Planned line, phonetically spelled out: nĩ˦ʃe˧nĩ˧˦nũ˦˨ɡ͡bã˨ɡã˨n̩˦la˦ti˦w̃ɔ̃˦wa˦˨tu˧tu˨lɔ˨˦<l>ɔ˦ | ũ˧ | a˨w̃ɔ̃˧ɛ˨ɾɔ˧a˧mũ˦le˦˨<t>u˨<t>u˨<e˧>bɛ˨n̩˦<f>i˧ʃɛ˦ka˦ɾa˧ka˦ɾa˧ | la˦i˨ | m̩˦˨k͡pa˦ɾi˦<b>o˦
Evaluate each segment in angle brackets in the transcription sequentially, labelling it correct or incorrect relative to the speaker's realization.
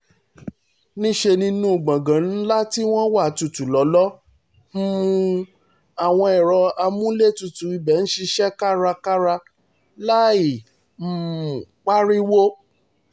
correct, correct, correct, incorrect: i˧, incorrect: ʃ, incorrect: w

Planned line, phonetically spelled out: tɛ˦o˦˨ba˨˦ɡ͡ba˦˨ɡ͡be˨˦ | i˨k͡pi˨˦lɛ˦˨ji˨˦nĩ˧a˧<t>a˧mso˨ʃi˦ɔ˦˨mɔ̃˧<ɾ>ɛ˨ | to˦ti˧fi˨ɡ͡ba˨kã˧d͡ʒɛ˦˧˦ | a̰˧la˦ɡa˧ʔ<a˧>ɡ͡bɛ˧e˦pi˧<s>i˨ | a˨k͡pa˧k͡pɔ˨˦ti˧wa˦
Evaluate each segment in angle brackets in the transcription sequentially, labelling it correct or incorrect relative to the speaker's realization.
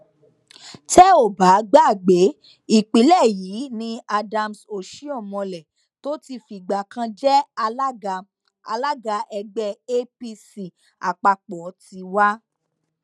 incorrect: d, incorrect: l, incorrect: ɛ˧, correct

